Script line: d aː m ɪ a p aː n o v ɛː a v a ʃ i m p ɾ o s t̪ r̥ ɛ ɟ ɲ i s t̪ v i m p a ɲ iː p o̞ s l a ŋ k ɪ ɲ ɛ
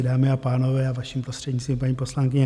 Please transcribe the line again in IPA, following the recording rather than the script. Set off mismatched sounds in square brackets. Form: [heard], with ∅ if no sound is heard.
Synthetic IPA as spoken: d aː m ɪ a p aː n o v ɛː a v a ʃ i m p ɾ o s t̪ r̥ ɛ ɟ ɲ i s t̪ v i m p a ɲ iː p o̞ s l a ŋ k ɪ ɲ ɛ

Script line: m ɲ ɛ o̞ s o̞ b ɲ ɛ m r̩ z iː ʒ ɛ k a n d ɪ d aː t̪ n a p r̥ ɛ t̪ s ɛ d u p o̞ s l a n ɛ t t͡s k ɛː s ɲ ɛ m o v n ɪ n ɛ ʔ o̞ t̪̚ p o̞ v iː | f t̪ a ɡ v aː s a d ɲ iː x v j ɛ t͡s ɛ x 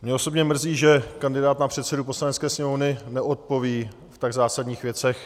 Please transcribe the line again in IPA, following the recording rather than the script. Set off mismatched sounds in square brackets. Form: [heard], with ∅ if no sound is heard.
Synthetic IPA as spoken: m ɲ ɛ o̞ s o̞ b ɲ ɛ m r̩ z iː ʒ ɛ k a n d ɪ d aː t̪ n a p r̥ ɛ t̪ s ɛ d u p o̞ s l a n ɛ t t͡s k ɛː s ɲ ɛ m o v n ɪ n ɛ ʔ o̞ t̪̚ p o̞ v iː | f t̪ a ɡ [z] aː s a d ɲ iː x v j ɛ t͡s ɛ x

